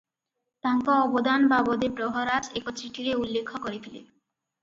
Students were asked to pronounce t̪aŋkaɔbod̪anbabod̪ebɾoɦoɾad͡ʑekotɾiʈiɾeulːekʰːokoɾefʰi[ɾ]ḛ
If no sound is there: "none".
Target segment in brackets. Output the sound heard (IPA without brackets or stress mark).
l